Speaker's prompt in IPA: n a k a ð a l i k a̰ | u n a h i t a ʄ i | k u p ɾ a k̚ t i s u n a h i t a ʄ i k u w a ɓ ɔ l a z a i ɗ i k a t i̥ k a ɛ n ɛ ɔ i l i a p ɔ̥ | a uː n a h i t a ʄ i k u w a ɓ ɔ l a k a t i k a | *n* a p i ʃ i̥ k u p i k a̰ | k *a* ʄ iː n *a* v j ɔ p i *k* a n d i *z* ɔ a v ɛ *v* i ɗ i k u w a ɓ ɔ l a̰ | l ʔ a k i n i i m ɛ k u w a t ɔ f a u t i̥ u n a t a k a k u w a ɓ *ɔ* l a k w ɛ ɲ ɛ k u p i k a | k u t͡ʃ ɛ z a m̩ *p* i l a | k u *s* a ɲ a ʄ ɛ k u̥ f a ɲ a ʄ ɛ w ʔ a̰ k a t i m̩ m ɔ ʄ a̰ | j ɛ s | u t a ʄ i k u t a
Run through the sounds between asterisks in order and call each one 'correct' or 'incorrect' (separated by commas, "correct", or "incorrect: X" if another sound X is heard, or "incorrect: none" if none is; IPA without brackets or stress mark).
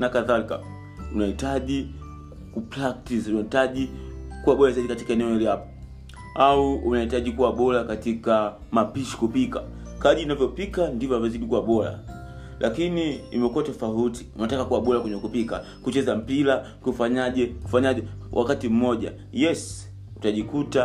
incorrect: m, correct, correct, correct, incorrect: v, incorrect: z, correct, correct, incorrect: f